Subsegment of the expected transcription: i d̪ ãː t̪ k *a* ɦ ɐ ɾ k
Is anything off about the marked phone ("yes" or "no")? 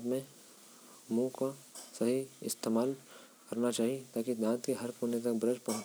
yes